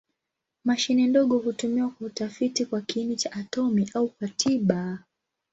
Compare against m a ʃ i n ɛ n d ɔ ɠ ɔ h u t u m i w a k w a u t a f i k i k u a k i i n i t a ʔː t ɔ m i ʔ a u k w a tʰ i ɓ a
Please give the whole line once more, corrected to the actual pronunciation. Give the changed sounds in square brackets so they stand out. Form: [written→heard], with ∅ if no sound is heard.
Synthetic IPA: m a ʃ i n ɛ n d ɔ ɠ ɔ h u t u m i w a k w a u t a f i [k→t] i k [u→w] a k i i n i [t→t͡ʃ] a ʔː t ɔ m i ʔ a u k w a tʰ i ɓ a